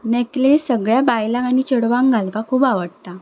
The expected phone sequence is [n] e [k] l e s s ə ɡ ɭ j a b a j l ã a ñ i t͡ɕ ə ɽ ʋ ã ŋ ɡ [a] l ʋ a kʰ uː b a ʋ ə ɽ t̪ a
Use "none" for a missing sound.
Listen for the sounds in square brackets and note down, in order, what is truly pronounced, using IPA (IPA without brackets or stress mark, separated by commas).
n, k, a